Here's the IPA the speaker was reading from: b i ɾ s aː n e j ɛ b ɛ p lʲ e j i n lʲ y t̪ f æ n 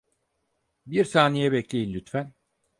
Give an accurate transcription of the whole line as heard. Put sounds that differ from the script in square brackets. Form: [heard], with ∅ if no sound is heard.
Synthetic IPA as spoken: b i ɾ s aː n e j ɛ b ɛ [c] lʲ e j i n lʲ y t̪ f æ n